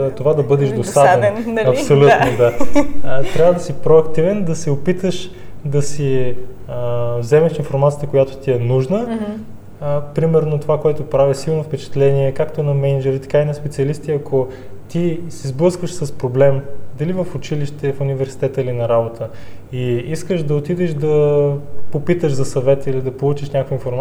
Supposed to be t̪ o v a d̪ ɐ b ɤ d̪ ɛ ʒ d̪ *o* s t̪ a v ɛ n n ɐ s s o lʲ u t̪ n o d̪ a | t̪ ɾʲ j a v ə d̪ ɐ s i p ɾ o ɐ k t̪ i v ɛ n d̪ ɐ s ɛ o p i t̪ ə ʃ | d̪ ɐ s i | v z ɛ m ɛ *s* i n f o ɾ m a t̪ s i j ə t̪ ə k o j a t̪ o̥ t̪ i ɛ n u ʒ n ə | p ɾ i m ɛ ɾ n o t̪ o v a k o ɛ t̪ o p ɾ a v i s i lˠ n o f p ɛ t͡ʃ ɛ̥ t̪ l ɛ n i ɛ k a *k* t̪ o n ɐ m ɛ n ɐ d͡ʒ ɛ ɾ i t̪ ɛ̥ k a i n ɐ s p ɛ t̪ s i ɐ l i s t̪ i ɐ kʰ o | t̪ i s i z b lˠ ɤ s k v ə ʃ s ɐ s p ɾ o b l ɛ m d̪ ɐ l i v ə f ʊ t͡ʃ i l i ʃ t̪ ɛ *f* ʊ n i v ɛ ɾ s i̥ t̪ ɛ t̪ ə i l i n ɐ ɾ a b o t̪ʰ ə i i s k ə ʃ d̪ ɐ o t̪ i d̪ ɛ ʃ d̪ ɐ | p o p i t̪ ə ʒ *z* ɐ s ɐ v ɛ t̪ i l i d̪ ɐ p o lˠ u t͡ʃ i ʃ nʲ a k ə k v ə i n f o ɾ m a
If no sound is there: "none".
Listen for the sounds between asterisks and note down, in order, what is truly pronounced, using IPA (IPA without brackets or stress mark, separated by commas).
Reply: o, ʃ, k, f, z